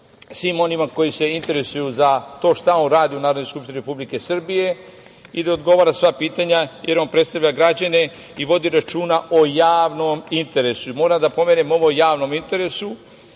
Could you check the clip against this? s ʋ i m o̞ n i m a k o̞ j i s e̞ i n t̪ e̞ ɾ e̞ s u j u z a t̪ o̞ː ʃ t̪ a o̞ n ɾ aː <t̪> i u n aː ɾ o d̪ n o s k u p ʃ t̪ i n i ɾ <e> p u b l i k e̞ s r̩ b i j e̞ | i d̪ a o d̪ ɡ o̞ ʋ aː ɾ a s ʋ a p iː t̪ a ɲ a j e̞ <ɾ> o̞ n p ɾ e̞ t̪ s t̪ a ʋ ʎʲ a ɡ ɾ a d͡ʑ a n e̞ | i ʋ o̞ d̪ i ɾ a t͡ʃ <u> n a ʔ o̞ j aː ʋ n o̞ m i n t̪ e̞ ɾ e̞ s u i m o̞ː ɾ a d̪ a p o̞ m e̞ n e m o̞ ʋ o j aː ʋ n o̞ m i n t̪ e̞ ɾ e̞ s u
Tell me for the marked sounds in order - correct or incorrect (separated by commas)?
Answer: incorrect, correct, correct, incorrect